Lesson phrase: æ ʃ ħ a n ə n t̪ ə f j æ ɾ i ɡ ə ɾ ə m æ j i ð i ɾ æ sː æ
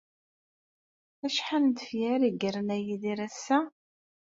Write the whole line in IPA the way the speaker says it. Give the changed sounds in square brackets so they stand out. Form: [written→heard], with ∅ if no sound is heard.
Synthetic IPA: æ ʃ ħ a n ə n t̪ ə f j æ ɾ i ɡ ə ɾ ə [m→n] æ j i ð i ɾ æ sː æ